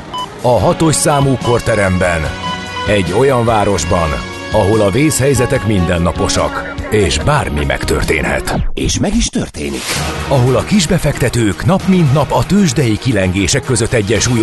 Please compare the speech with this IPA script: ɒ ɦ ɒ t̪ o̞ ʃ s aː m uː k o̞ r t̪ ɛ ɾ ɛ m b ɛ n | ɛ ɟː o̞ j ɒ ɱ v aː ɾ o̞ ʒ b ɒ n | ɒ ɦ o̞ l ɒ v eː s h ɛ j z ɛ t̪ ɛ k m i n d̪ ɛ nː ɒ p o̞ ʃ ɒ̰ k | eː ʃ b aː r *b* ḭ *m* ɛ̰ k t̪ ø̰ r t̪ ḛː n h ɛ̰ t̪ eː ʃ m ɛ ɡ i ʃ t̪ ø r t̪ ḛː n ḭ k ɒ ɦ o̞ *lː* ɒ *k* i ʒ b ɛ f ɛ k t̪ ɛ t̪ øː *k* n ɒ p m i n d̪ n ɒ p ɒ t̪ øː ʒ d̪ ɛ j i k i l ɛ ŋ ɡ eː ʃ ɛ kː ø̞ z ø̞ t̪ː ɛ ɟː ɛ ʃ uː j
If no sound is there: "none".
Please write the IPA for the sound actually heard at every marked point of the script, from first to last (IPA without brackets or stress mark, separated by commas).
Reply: m, m, l, k, k